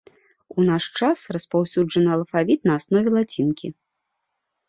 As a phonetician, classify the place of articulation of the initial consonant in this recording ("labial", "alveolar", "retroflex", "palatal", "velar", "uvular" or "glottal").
alveolar